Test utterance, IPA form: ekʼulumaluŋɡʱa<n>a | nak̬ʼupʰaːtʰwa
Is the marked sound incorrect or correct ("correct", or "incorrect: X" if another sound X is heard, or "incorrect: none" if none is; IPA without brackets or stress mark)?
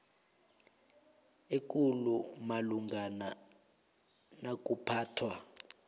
correct